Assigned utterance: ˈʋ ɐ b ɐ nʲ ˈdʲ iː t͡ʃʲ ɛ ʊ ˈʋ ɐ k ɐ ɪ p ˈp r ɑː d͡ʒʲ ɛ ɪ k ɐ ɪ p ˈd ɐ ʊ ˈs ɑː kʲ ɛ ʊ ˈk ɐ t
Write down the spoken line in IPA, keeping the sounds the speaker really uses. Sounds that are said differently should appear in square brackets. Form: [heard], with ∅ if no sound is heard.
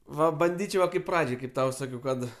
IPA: ˈʋ ɐ b ɐ nʲ ˈdʲ iː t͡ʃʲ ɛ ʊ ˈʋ ɐ k ɐ ɪ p ˈp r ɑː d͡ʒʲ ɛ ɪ k ɐ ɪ p [ˈt] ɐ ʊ ˈs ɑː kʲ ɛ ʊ ˈk ɐ t